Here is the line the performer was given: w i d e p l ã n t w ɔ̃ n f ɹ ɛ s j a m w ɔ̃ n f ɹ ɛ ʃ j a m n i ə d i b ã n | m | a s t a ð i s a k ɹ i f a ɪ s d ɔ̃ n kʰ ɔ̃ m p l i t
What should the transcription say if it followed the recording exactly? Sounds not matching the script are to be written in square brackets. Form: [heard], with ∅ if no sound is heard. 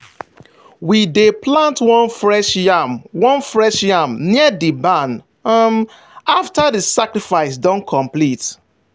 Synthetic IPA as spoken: w i d e p l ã n t w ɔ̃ n f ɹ ɛ [ʃ] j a m w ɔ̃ n f ɹ ɛ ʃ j a m n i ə d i b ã n | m | a [f] t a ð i s a k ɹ i f a ɪ s d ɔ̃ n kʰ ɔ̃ m p l i t